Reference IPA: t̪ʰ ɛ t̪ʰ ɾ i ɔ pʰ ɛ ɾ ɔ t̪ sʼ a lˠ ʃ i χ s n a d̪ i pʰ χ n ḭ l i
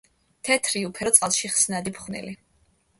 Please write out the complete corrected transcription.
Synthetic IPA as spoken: t̪ʰ ɛ t̪ʰ ɾ i u pʰ ɛ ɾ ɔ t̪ sʼ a lˠ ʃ i χ s n a d̪ i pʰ χ n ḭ l i